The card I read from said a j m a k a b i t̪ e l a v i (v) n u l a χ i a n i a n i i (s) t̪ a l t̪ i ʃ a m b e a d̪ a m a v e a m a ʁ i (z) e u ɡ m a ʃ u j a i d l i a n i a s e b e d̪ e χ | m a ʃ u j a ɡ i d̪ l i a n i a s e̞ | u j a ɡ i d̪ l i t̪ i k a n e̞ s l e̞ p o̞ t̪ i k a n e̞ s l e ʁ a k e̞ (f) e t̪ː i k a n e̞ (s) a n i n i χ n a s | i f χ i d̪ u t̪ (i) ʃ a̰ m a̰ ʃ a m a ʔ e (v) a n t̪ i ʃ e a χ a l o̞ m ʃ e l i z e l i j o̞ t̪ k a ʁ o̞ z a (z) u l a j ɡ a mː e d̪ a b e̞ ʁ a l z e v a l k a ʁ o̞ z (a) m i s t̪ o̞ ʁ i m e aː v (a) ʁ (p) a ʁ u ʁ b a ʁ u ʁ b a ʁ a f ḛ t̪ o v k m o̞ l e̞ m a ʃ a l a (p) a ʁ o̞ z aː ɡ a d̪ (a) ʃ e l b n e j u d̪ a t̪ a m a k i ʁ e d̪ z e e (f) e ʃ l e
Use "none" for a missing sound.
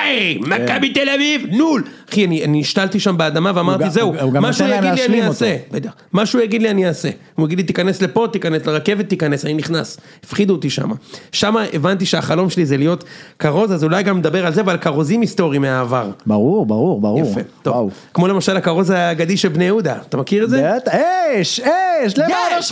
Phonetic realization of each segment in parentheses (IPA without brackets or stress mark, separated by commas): v, ʃ, z, v, s, i, v, z, i, a, b, k, i, ʃ